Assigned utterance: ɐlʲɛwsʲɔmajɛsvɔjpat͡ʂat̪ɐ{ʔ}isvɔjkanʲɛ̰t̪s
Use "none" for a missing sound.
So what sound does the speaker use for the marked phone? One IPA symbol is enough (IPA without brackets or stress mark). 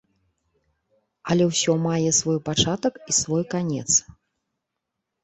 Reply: k